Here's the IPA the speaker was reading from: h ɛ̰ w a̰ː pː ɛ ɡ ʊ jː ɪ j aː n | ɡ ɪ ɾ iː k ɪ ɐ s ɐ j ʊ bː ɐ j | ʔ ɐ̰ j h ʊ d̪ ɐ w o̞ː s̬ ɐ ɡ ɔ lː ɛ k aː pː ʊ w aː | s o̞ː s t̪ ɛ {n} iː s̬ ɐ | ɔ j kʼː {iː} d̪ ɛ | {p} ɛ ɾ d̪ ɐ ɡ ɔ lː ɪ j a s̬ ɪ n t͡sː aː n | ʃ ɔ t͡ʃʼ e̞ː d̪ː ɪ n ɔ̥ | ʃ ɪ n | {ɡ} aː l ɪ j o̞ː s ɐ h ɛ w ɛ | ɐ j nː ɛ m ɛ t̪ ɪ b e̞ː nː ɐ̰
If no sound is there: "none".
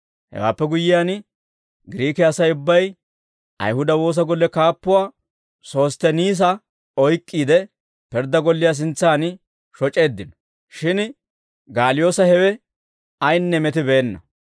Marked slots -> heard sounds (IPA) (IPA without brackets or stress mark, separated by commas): n, iː, p, ɡ